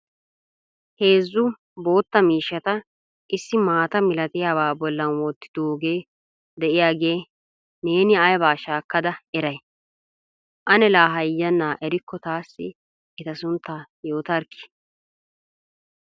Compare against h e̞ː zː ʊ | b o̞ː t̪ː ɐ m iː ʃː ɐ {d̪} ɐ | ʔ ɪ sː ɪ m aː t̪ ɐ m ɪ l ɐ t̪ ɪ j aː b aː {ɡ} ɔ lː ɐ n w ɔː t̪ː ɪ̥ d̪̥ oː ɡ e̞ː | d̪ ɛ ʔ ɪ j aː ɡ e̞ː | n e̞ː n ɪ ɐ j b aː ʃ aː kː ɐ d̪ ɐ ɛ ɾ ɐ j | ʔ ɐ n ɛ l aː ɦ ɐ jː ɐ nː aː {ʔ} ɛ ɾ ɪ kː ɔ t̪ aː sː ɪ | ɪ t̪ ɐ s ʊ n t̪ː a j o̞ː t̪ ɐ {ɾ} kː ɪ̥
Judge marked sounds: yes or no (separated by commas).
no, no, yes, yes